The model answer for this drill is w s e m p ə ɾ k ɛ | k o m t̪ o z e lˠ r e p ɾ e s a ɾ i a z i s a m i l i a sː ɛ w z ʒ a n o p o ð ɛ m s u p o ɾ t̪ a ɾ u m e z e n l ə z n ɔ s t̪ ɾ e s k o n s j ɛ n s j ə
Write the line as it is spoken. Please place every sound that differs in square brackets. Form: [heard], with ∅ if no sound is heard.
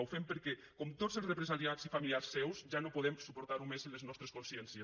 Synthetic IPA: w [f] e m p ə ɾ k ɛ | k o m t̪ o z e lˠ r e p ɾ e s a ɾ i a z i [f] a m i l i a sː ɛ w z ʒ a n o p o ð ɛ m s u p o ɾ t̪ a ɾ u m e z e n l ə z n ɔ s t̪ ɾ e s k o n s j ɛ n s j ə